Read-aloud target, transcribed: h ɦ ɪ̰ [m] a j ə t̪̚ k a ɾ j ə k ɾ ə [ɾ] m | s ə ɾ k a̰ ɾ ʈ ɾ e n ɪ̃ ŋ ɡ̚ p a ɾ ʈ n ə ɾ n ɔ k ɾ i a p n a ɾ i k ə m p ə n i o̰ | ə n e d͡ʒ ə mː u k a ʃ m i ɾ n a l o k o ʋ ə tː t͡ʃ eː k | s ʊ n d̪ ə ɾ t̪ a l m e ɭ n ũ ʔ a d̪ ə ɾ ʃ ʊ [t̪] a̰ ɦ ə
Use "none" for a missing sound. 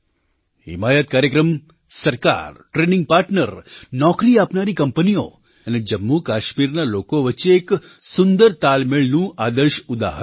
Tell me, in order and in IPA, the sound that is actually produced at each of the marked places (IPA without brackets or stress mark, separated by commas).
m, none, d̪